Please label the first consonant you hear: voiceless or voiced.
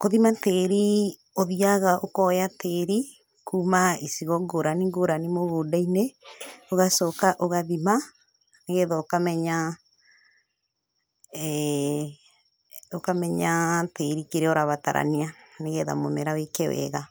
voiceless